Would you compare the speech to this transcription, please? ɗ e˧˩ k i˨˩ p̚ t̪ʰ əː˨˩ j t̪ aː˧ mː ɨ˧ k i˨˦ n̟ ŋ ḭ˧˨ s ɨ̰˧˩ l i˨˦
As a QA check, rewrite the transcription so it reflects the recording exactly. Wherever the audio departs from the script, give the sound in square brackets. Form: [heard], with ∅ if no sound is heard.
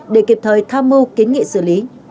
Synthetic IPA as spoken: ɗ e˧˩ k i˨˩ p̚ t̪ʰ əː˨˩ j [t̪ʰ] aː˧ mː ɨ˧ k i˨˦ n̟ ŋ ḭ˧˨ s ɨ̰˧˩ l i˨˦